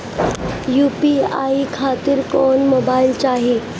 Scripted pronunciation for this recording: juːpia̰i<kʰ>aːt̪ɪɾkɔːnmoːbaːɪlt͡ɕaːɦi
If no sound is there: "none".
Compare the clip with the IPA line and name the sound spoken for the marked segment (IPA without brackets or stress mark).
kʰ